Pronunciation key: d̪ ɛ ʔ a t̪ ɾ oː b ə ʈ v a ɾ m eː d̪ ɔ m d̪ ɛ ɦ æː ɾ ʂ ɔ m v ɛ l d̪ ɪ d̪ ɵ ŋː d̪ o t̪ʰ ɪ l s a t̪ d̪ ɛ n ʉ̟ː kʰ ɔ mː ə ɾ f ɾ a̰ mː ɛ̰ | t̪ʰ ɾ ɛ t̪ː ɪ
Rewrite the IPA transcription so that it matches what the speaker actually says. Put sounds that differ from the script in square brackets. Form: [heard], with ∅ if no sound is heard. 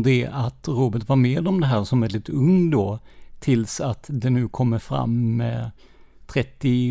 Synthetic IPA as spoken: d̪ ɛ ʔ a t̪ ɾ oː b ə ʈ v a ɾ m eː d̪ ɔ m d̪ ɛ ɦ æː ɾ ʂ ɔ m v ɛ l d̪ ɪ [t̪] ɵ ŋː d̪ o t̪ʰ ɪ l s a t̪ d̪ ɛ n ʉ̟ː kʰ ɔ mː ə ɾ f ɾ a̰ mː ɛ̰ | t̪ʰ ɾ ɛ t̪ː ɪ